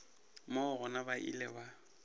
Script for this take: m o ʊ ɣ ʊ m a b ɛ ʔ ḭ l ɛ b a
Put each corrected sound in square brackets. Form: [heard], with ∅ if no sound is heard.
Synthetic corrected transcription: m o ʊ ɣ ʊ [n] a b [a] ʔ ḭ l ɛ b a